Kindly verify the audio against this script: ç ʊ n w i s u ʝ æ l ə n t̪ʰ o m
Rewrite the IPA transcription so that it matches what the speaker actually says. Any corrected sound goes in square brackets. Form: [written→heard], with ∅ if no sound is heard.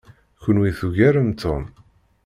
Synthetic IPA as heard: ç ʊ n w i [s→θ] u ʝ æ [l→ɾ] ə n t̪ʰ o m